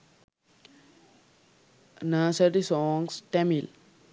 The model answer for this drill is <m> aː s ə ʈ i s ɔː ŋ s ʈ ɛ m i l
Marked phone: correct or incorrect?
incorrect